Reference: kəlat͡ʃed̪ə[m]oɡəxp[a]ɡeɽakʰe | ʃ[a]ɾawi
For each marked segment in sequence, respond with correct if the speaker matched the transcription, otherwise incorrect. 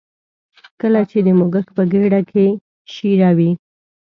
correct, incorrect, incorrect

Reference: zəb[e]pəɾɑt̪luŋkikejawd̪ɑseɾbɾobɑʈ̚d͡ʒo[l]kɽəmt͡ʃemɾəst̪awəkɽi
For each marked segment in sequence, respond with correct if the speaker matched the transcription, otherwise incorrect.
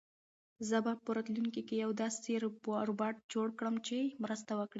incorrect, incorrect

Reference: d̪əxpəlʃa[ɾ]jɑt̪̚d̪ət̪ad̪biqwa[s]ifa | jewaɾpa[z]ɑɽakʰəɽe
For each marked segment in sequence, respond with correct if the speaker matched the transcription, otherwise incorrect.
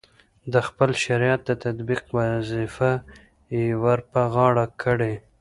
correct, incorrect, incorrect

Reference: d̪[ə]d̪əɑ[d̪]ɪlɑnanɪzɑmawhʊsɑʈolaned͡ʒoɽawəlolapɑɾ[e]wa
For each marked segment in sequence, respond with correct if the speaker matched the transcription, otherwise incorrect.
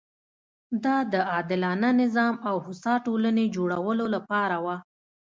incorrect, correct, incorrect

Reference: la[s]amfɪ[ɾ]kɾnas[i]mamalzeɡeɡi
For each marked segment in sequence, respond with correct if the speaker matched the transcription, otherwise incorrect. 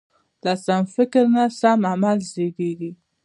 correct, incorrect, incorrect

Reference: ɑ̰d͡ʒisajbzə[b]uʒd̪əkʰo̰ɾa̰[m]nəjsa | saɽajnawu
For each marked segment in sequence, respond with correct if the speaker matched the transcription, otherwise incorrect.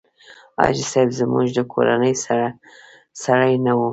incorrect, incorrect

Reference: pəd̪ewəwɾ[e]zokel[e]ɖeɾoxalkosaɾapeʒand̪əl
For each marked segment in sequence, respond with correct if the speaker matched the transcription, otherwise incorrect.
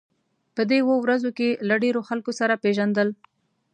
incorrect, incorrect

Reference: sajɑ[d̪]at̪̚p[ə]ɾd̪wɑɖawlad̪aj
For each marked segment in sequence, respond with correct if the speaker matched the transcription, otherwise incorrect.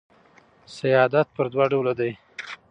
correct, correct

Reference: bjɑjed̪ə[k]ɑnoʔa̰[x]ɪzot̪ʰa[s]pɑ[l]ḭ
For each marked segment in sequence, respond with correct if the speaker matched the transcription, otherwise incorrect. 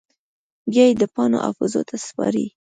incorrect, incorrect, correct, incorrect

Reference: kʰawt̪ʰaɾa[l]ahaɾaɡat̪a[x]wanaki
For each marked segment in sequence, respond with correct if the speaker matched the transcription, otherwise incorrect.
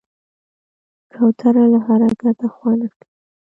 correct, correct

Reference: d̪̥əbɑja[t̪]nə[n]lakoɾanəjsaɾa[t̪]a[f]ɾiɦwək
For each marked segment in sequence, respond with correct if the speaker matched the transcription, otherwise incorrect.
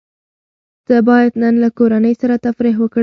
incorrect, correct, correct, correct

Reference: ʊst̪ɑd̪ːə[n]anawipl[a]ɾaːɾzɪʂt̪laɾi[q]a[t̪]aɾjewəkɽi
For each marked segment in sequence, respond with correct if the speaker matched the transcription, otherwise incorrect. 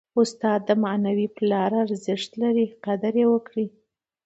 incorrect, incorrect, correct, incorrect

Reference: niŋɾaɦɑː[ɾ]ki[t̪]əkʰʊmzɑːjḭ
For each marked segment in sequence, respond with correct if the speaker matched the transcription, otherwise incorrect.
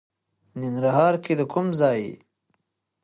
correct, incorrect

